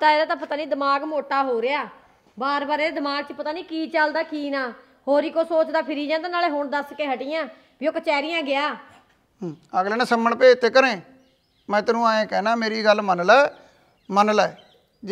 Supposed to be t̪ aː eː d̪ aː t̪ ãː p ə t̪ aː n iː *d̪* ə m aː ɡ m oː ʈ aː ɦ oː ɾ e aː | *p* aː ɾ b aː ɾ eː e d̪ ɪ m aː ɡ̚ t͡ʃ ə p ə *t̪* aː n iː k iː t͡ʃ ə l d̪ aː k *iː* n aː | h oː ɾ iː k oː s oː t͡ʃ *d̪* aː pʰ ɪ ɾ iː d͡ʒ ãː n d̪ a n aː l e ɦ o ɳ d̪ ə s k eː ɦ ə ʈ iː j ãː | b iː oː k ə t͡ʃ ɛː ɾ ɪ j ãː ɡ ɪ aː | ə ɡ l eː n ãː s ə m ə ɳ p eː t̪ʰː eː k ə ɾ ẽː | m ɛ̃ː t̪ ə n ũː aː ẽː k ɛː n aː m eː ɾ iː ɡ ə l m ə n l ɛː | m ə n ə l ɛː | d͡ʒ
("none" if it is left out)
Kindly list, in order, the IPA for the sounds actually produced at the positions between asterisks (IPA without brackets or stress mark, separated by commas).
d̪, b, t̪, iː, d̪